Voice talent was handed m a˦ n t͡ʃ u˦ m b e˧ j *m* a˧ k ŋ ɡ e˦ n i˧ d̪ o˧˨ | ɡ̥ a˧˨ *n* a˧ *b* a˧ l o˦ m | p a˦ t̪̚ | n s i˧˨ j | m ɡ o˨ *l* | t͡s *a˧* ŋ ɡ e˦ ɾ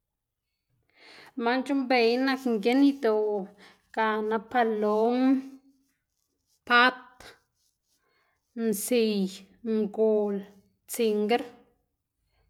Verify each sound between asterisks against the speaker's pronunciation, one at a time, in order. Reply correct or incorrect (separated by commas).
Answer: incorrect, correct, incorrect, correct, incorrect